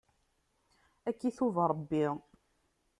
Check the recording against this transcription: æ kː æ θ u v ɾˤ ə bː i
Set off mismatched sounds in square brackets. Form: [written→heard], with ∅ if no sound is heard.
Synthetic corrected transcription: æ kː [æ→i] θ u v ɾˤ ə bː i